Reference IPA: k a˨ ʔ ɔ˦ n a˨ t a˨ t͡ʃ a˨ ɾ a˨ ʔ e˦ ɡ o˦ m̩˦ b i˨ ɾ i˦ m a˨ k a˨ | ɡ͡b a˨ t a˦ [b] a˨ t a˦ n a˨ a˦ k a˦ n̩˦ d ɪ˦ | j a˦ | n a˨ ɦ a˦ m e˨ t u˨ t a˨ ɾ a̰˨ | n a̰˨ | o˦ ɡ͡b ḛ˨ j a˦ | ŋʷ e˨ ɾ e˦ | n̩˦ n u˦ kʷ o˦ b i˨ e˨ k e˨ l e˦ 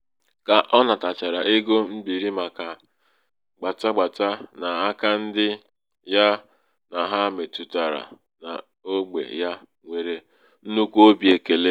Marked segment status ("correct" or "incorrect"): incorrect